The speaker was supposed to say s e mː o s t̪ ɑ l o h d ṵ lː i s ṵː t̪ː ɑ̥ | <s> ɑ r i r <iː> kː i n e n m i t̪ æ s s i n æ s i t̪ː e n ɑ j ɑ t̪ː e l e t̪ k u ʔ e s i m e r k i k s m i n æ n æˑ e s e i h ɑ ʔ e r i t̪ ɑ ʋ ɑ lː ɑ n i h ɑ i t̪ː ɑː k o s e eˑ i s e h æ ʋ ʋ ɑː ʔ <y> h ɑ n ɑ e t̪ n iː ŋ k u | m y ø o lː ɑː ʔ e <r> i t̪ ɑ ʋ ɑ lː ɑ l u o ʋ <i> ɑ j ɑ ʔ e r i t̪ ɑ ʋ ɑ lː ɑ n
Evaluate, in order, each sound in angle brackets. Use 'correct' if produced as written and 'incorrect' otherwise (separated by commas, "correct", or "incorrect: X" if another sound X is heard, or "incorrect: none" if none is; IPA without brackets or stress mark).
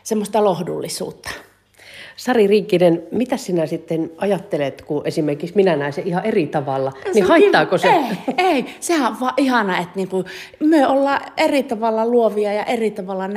correct, correct, incorrect: i, correct, correct